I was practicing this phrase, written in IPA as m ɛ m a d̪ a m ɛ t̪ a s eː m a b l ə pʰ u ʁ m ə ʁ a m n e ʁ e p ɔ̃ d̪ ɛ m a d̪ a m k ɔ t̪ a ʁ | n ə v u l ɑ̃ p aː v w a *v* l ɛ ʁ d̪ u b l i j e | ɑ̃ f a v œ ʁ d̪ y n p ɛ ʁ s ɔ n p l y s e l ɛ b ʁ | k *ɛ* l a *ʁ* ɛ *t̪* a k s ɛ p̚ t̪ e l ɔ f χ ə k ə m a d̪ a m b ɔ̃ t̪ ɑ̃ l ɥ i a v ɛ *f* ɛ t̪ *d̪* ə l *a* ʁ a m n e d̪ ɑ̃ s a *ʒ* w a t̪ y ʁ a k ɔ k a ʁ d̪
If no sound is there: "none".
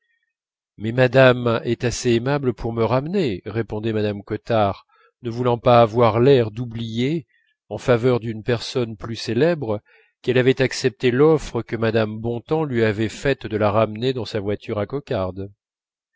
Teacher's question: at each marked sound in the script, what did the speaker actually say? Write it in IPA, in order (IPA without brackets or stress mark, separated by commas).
ʁ, ɛ, v, t̪, f, d̪, a, v